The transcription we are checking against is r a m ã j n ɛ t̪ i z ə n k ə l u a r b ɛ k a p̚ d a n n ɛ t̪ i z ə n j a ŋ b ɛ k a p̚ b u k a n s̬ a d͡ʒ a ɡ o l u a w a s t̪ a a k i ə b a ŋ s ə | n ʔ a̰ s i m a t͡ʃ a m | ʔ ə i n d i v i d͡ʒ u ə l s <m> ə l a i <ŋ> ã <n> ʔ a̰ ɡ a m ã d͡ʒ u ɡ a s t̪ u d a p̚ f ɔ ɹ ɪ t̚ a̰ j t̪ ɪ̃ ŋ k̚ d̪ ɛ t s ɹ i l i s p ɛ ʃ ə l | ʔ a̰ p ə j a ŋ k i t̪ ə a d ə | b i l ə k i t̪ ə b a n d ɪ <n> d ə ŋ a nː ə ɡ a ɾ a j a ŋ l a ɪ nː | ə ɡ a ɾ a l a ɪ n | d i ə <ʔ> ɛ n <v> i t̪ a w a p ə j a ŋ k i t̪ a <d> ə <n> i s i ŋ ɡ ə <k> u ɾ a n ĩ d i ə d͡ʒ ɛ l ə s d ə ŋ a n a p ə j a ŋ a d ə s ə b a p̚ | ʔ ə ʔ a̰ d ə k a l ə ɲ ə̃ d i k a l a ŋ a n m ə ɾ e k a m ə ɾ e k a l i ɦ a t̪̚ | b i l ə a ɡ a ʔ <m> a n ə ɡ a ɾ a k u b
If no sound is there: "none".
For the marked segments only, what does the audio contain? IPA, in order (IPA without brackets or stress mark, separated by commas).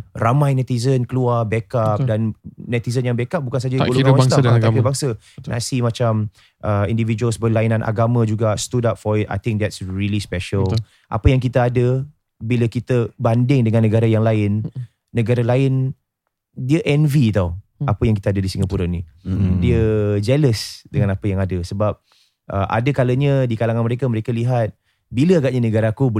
b, n, n, ŋ, ʔ, v, d, d, p, ɲ